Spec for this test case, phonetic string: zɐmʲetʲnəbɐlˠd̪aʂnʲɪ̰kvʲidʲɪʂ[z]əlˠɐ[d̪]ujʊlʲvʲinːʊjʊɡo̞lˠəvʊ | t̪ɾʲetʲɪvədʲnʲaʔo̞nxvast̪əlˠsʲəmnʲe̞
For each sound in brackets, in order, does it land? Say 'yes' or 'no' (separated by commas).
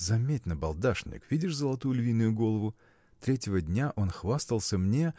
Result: yes, no